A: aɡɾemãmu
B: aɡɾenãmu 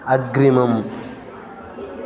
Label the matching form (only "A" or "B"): A